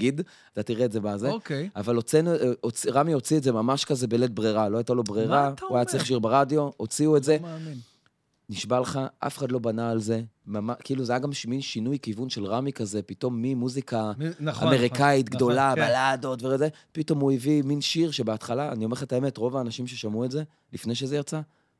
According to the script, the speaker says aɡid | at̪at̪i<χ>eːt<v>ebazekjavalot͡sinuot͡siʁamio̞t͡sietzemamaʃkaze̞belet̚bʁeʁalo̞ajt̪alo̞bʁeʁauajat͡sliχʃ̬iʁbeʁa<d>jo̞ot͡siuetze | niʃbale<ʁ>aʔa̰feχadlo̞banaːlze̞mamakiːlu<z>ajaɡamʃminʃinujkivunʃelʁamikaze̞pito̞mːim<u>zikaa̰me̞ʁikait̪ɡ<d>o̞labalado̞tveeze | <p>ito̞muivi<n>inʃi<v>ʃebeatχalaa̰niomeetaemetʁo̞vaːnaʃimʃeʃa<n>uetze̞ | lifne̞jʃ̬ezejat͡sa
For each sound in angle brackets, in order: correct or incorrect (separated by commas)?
incorrect, incorrect, correct, incorrect, correct, correct, correct, correct, incorrect, incorrect, incorrect